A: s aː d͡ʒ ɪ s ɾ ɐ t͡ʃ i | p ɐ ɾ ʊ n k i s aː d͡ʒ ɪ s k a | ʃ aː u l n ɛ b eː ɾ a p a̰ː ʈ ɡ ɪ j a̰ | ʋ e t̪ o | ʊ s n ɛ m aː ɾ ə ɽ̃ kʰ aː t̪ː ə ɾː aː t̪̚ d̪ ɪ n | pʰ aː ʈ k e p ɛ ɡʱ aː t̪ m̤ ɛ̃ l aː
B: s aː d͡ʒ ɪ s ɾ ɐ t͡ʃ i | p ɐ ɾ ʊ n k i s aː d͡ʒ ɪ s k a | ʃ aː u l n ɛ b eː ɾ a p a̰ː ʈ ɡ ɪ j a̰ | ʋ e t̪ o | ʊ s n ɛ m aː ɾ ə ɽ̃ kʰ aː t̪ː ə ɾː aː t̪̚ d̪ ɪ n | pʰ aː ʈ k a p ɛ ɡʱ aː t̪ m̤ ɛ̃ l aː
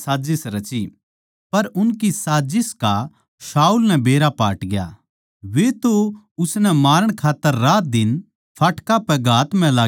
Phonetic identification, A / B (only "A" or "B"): B